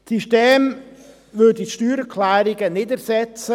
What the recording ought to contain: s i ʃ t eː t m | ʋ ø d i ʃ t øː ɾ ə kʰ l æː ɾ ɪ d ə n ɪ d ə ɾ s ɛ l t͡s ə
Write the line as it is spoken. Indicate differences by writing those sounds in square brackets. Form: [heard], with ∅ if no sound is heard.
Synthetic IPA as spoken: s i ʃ t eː [∅] m | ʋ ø d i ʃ t [yː] ɾ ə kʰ l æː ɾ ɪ [ɡ] ə n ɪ d ə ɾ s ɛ [∅] t͡s ə